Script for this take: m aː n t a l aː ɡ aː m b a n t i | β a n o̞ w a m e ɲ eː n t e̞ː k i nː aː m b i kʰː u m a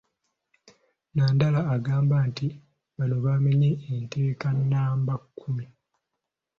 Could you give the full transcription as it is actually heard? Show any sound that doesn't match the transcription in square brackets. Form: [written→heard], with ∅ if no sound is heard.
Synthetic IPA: [m→n] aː n [t→d] a l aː ɡ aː m b a n t i | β a n o̞ [w→β] a m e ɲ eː n t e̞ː k [i→a] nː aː m b [i→a] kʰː u m [a→i]